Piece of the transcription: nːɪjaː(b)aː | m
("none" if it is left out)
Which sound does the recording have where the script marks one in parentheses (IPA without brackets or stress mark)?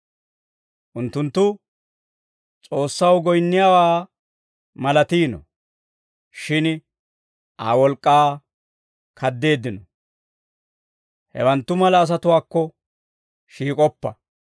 w